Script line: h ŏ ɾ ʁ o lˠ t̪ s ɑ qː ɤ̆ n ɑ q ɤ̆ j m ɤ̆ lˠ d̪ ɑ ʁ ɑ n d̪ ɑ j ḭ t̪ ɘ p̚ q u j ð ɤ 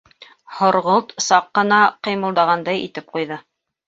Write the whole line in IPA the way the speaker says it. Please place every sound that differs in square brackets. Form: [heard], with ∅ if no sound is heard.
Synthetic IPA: h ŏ ɾ ʁ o lˠ t̪ s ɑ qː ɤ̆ n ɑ q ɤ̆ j m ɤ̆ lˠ d̪ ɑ ʁ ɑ n d̪ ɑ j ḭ t̪ ɘ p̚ q u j ð ɤ